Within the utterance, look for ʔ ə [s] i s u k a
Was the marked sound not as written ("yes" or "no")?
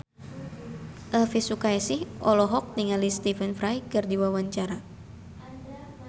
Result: yes